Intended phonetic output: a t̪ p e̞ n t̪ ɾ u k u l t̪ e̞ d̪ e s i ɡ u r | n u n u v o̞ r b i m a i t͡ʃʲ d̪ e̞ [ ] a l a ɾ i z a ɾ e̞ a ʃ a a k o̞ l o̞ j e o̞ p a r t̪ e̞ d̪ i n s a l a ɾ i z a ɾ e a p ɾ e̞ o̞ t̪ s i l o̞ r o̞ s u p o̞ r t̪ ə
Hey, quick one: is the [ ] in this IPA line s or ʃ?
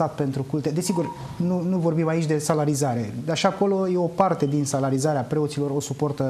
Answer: s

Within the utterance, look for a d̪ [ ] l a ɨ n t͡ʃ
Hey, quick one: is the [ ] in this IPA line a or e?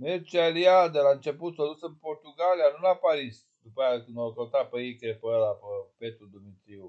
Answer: e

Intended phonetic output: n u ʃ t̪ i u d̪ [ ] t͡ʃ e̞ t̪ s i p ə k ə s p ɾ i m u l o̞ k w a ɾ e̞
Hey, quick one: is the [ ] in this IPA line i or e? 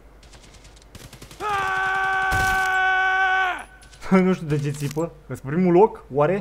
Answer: e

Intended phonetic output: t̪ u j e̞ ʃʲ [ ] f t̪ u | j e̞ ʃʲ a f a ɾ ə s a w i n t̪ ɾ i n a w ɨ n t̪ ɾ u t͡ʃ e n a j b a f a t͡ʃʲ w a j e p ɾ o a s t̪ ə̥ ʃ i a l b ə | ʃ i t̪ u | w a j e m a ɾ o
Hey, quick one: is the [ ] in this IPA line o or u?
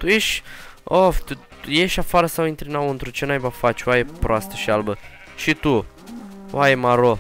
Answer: o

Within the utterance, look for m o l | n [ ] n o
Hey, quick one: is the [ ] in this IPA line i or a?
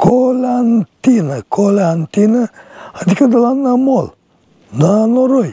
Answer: a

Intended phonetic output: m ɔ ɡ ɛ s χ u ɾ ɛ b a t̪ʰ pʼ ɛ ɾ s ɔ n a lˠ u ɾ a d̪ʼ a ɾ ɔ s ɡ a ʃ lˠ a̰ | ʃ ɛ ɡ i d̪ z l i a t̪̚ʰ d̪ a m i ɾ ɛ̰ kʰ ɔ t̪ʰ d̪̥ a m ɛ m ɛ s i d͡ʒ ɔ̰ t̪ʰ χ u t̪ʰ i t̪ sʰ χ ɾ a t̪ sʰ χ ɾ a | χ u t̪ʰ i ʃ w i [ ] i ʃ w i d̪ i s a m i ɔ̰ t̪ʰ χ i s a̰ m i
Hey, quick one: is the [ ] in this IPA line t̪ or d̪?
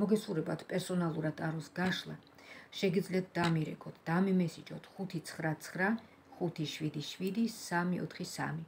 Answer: d̪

